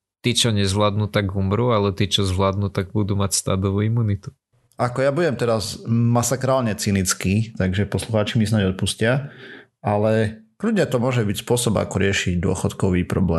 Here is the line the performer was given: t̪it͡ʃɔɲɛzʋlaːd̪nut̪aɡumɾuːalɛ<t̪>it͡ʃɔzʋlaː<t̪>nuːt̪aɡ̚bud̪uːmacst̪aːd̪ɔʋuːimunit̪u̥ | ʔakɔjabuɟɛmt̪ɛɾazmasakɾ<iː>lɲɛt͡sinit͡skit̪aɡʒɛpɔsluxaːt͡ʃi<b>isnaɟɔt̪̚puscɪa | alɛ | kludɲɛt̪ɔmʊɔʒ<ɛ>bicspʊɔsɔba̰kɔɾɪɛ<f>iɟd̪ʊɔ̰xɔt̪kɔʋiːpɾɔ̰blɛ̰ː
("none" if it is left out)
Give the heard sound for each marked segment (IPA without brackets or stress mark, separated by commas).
t̪, d̪, aː, m, ɛ, ʃ